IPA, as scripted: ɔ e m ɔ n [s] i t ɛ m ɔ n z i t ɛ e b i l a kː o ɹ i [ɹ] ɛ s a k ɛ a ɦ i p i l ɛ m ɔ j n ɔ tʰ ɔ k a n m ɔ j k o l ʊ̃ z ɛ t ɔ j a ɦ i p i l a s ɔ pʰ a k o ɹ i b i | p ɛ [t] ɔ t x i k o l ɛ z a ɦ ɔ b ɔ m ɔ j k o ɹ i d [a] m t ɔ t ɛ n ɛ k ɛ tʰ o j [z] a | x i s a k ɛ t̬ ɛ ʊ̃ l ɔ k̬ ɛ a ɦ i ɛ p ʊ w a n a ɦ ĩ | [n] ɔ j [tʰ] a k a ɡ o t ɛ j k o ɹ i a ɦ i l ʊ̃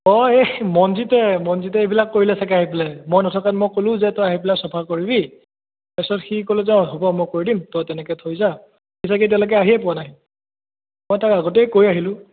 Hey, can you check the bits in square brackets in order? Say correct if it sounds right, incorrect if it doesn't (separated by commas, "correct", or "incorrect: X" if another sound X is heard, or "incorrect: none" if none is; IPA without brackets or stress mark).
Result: incorrect: z, incorrect: l, incorrect: s, incorrect: i, correct, incorrect: m, incorrect: t